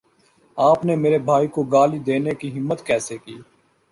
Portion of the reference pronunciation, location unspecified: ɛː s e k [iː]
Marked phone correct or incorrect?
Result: correct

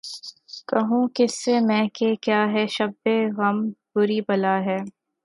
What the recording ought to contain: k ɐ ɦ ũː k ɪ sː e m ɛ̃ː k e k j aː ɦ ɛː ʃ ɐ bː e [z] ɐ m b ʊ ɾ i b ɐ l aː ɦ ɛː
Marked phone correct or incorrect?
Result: incorrect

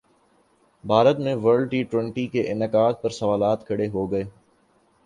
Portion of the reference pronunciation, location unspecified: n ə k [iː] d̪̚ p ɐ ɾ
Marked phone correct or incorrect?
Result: incorrect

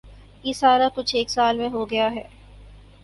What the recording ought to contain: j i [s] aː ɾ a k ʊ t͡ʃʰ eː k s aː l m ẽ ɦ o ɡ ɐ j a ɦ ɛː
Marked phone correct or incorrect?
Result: correct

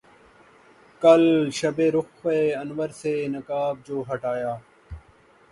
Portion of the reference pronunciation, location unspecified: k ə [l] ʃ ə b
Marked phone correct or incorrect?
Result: correct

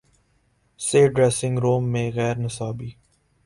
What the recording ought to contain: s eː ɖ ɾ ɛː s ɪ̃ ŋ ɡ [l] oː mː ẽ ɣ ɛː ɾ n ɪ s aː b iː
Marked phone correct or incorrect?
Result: incorrect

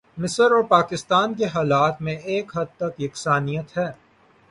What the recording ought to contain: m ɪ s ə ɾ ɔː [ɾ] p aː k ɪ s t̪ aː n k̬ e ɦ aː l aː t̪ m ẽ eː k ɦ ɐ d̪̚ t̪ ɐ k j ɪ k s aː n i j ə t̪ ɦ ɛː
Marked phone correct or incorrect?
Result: correct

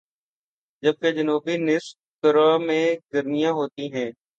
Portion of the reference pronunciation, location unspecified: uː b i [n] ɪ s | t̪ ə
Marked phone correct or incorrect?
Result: correct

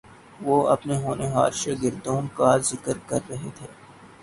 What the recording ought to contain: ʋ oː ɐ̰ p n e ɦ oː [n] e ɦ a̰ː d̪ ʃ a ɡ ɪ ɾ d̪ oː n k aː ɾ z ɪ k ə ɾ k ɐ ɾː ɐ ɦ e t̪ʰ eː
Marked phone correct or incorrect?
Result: correct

